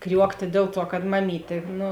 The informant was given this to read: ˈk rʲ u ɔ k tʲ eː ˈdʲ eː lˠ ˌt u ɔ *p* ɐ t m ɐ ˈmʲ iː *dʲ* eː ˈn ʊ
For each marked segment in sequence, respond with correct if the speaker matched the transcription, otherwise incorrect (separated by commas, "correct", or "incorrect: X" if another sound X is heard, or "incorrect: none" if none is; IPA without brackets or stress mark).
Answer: incorrect: k, incorrect: tʲ